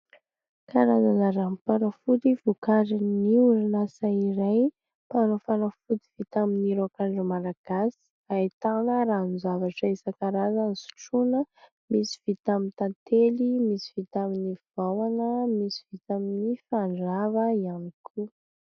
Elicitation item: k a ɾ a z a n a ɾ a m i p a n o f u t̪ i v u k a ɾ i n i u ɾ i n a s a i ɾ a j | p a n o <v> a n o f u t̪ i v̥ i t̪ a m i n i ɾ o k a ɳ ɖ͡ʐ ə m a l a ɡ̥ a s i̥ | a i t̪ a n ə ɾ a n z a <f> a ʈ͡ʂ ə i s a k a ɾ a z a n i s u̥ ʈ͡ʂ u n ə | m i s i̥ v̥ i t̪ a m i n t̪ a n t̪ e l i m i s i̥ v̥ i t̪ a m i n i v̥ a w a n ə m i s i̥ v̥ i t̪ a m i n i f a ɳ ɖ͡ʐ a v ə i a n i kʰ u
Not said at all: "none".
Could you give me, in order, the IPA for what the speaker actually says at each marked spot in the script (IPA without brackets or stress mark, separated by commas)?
f, v